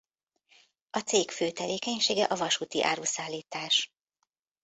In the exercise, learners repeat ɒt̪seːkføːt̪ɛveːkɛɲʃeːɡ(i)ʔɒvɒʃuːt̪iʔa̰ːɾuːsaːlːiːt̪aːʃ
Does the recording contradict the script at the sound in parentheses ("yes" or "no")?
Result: yes